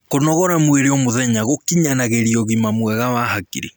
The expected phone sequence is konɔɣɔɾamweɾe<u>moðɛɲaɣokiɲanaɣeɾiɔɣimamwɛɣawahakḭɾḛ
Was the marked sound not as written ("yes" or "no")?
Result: yes